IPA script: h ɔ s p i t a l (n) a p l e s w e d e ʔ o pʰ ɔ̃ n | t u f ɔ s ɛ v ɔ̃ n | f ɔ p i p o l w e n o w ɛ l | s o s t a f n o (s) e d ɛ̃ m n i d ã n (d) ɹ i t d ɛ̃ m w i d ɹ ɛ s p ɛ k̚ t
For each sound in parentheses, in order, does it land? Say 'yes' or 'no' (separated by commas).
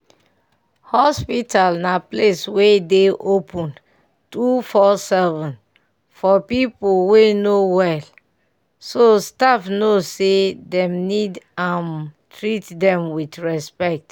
yes, yes, no